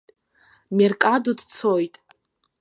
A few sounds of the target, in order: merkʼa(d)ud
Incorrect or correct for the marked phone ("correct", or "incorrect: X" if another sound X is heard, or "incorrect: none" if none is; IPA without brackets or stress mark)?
correct